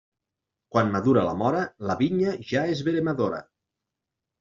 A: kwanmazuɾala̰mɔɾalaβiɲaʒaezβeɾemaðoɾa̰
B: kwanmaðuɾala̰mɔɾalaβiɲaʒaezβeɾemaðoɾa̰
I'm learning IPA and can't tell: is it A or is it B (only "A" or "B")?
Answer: B